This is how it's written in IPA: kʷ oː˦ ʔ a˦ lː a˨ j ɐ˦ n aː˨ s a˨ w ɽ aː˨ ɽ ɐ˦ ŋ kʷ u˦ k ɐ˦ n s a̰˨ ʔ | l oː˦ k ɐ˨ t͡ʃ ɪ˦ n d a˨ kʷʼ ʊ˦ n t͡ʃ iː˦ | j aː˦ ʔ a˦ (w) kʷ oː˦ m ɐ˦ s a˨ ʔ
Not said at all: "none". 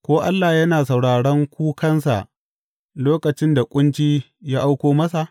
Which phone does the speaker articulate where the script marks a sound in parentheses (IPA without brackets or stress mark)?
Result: w